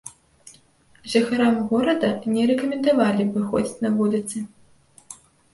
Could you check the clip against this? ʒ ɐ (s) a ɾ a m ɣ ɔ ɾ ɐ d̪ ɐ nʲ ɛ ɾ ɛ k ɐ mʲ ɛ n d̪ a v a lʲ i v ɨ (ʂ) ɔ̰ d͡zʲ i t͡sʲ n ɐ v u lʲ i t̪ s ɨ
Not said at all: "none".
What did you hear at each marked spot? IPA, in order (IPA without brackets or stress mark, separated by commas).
x, x